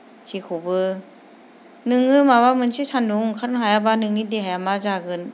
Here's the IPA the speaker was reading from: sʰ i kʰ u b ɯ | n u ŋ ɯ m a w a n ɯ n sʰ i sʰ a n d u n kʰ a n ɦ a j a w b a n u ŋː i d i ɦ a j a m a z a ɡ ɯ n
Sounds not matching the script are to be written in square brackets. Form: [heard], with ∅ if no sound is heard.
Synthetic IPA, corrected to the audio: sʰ i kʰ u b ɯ | n [ɯ] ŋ ɯ m a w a [m] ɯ n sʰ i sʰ a n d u [ŋ] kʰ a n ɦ a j a [∅] b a n [ɯ] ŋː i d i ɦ a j a m a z a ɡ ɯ n